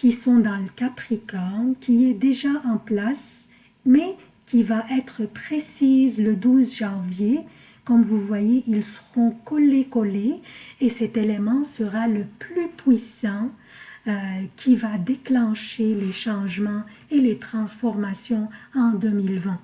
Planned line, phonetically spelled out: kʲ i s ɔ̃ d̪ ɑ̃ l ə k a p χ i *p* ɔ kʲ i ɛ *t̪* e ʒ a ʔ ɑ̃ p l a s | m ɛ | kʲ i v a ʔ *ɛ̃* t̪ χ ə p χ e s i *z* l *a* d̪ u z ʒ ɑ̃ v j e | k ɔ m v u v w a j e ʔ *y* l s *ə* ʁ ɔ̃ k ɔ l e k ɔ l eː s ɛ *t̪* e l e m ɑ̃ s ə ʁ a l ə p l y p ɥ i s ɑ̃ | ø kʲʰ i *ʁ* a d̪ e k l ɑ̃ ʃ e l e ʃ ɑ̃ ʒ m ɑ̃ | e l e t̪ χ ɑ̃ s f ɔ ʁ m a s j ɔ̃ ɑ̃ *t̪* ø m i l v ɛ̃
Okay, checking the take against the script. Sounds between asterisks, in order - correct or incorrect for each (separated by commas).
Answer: incorrect, incorrect, incorrect, correct, incorrect, incorrect, correct, correct, incorrect, incorrect